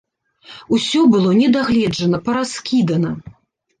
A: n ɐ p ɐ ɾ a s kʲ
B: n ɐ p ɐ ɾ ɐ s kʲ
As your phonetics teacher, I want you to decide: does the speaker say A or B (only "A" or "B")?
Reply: A